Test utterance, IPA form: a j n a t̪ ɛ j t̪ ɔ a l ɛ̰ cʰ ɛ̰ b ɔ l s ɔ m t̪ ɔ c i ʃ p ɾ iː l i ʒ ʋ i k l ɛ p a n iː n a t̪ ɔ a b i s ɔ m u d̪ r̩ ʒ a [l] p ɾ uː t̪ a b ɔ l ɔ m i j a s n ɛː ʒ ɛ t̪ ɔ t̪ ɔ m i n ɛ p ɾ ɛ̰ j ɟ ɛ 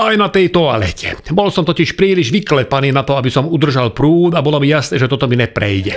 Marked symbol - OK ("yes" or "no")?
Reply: yes